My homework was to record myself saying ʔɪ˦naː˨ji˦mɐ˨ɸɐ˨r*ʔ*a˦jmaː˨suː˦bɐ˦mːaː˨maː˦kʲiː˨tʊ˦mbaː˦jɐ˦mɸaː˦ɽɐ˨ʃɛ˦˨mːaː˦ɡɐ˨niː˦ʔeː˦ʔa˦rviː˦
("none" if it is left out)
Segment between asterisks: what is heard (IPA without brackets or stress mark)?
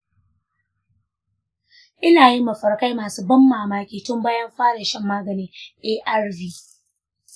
k